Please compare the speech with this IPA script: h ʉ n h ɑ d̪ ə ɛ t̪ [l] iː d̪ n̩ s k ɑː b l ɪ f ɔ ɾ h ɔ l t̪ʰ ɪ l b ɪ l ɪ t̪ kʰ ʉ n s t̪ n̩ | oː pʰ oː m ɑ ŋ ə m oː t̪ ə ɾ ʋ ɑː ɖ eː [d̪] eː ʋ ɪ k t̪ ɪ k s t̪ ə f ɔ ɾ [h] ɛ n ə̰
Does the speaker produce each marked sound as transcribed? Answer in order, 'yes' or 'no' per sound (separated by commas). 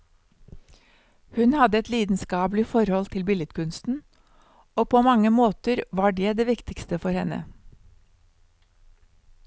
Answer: yes, yes, yes